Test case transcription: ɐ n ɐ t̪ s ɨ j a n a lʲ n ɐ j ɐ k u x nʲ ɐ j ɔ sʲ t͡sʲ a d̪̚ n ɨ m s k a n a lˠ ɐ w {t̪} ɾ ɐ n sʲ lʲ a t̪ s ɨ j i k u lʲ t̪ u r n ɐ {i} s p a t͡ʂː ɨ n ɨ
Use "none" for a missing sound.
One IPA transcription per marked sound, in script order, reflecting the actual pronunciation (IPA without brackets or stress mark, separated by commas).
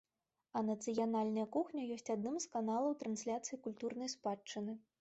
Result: t̪, j